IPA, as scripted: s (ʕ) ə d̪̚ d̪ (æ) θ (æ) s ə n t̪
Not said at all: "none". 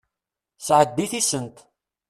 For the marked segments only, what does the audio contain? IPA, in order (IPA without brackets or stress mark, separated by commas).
ʕ, i, i